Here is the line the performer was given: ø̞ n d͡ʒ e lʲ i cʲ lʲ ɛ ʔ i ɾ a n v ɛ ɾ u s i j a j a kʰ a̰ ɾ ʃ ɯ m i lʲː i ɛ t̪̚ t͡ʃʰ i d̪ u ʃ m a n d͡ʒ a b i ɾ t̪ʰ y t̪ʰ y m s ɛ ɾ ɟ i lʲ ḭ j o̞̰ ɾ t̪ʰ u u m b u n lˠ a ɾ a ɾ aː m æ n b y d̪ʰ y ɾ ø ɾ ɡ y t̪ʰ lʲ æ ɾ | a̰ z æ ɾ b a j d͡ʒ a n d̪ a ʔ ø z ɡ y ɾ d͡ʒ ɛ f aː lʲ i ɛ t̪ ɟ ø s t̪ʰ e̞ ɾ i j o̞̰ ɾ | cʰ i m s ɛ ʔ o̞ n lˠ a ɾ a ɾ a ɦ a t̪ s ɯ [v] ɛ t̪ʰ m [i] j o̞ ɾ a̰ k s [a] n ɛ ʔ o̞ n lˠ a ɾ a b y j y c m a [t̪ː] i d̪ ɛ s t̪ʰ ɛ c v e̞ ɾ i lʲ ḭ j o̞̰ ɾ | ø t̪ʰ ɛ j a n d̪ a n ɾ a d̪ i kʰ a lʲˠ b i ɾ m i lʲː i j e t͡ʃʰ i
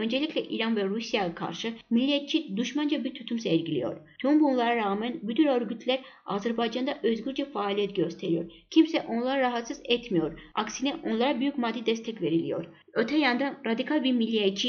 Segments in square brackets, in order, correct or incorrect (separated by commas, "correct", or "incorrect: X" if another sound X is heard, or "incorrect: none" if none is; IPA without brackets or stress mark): incorrect: z, correct, incorrect: i, incorrect: d̪ː